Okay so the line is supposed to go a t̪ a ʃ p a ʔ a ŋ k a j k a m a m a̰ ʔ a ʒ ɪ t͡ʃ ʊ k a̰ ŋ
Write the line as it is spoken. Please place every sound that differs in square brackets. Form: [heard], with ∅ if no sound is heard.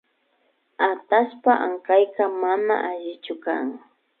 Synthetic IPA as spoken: a t̪ a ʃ p a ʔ a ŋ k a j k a m a [n] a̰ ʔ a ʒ ɪ t͡ʃ ʊ k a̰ ŋ